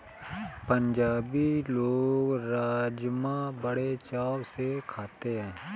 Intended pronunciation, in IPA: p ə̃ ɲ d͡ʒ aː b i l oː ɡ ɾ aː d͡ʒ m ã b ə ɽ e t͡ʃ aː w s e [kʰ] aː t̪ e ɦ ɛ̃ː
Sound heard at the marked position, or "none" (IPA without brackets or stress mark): kʰ